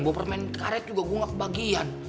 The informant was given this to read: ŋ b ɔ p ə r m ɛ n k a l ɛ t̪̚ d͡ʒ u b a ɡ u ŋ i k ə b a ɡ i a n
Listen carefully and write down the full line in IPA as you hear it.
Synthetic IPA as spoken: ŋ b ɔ p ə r m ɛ n k a ɾ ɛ t̪̚ d͡ʒ u ɡ a ɡ u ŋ a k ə b a ɡ i a n